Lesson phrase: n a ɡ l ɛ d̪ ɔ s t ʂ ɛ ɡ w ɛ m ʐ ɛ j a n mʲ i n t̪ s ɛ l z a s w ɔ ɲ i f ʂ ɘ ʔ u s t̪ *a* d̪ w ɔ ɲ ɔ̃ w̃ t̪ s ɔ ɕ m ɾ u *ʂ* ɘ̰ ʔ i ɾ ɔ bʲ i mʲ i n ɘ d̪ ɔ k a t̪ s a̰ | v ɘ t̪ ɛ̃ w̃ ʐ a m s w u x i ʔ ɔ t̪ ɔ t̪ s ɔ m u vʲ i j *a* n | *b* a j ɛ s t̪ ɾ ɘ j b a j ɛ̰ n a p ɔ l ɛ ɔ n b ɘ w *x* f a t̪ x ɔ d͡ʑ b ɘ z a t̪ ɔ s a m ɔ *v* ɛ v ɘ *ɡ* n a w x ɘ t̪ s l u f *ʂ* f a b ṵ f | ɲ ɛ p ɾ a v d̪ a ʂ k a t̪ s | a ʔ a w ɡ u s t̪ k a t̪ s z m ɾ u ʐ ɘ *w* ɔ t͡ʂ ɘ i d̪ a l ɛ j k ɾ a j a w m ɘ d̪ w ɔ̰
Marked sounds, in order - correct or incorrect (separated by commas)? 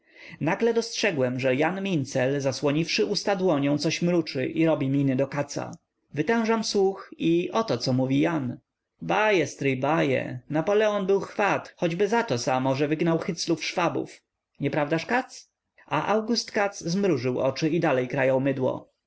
correct, incorrect, correct, correct, correct, incorrect, correct, correct, correct